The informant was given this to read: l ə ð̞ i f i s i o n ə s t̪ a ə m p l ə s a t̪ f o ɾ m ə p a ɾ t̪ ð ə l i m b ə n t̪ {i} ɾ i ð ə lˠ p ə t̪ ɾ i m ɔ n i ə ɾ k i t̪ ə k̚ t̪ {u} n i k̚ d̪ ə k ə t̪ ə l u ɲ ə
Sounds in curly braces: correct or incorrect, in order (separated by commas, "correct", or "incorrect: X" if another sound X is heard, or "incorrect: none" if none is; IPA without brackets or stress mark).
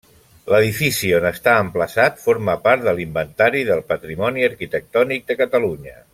incorrect: a, incorrect: ɔ